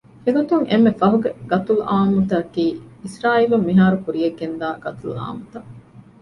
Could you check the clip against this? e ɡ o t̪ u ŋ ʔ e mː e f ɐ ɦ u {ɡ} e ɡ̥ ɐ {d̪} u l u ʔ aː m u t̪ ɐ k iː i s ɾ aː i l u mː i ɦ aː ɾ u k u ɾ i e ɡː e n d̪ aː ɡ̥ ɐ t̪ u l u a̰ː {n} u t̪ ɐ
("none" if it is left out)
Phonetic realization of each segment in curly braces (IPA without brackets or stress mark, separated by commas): ɡ, t̪, m